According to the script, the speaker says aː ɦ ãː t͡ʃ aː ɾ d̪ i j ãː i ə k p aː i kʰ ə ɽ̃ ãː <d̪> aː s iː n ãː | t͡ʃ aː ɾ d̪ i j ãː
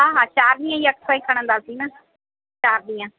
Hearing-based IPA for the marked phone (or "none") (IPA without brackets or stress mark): d̪